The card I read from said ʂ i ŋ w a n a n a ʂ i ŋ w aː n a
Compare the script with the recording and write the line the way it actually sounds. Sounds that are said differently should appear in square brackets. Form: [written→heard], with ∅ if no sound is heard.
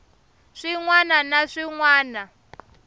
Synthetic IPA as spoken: ʂ i ŋ w a n a n a ʂ i ŋ w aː n a